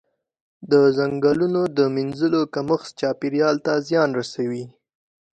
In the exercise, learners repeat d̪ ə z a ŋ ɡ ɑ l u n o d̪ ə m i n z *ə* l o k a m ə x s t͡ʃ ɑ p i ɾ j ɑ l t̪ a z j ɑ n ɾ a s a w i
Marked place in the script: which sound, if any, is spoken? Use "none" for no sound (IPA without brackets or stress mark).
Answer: ə